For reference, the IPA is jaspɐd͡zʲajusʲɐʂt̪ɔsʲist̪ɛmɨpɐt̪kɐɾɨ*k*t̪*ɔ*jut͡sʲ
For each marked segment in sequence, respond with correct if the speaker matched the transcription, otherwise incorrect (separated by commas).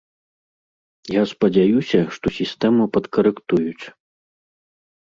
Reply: correct, incorrect